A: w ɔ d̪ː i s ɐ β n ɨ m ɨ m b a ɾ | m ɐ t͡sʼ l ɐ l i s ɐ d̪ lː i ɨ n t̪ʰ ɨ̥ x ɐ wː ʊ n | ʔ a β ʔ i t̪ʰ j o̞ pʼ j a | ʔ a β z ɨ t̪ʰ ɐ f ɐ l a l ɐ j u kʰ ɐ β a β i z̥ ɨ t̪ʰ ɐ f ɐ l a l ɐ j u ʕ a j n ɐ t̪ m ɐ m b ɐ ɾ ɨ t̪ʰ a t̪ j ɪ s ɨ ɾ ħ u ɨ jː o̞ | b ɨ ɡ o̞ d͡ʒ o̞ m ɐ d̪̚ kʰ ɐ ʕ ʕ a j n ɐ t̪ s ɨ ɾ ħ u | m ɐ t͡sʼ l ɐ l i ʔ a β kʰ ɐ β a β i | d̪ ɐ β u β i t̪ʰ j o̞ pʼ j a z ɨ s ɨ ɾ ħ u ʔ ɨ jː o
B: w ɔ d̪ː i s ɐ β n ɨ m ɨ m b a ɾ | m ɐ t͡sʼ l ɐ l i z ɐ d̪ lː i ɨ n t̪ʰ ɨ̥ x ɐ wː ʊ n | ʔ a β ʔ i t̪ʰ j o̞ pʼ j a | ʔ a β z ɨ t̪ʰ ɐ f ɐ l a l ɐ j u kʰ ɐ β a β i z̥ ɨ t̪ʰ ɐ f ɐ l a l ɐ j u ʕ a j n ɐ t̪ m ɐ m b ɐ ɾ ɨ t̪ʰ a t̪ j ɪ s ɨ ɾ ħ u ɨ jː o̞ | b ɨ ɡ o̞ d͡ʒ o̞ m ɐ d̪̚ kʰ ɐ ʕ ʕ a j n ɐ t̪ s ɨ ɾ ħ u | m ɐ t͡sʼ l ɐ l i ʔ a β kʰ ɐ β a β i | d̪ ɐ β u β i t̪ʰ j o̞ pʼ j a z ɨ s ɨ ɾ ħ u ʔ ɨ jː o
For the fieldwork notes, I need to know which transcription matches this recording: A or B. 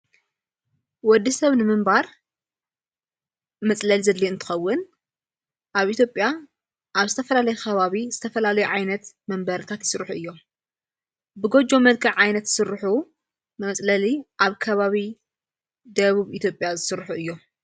B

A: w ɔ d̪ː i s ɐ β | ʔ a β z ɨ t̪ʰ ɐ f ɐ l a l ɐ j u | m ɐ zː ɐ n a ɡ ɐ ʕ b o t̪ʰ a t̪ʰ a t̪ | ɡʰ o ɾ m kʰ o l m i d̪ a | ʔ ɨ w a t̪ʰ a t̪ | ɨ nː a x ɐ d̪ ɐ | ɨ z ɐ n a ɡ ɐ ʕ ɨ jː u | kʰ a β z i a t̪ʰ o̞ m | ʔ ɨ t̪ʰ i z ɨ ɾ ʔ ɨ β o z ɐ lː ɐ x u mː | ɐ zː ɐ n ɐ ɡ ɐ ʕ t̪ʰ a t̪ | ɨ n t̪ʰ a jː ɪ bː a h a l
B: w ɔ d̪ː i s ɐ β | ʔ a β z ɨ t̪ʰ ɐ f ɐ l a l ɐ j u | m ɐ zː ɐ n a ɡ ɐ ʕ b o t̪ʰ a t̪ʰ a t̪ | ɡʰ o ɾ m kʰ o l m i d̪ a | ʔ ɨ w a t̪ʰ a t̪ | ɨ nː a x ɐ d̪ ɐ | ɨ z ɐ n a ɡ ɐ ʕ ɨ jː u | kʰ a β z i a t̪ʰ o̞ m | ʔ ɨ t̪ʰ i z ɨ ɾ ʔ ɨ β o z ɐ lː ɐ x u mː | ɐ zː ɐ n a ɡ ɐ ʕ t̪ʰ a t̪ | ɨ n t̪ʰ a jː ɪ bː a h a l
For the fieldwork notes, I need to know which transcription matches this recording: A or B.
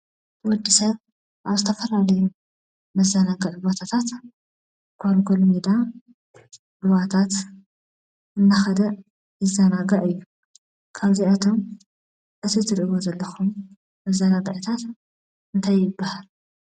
B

